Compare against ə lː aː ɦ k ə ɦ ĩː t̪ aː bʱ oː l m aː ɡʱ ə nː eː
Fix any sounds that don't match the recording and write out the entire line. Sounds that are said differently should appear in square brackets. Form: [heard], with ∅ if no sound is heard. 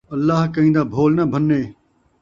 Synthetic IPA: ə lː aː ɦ k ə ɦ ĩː [d̪] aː bʱ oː l [n] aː [bʱ] ə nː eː